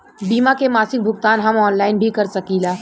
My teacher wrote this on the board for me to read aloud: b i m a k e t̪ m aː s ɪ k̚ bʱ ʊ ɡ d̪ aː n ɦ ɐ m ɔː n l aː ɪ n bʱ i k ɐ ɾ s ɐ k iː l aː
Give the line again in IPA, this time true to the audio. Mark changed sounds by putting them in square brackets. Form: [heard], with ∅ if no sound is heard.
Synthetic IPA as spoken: b [iː] m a k e [∅] m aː s ɪ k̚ bʱ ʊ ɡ [t̪] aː n ɦ ɐ m ɔː n l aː ɪ n bʱ i k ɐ ɾ s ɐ k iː l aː